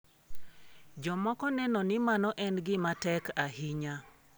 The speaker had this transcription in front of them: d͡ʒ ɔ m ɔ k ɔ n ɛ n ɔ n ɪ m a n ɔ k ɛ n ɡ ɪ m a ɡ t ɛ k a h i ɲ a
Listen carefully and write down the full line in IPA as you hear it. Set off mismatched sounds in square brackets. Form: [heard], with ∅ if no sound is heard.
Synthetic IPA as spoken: d͡ʒ ɔ m ɔ k ɔ n ɛ n ɔ n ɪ m a n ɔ [ʔ] ɛ n ɡ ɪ m a [∅] t ɛ k a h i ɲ a